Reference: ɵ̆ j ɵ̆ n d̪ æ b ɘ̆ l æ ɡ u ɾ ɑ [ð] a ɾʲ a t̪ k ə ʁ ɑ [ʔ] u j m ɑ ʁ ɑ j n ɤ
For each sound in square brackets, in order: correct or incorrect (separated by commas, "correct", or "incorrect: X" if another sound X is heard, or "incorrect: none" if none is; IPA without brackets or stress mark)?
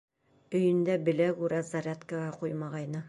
incorrect: z, incorrect: q